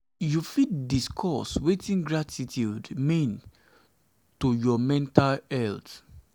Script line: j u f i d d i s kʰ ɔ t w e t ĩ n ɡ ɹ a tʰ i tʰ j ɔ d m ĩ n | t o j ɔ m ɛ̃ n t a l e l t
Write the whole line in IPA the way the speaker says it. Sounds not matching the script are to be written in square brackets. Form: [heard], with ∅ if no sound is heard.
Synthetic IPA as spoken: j u f i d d i s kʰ ɔ [s] w e t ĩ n ɡ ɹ a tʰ i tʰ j [u] d m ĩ n | t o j ɔ m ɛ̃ n t a l [ɛ] l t